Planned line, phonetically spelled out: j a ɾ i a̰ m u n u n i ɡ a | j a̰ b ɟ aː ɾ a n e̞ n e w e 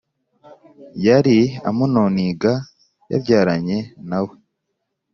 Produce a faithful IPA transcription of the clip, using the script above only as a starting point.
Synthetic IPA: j a ɾ i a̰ m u n o n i ɡ a | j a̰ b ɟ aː ɾ a ɲ e̞ n a w e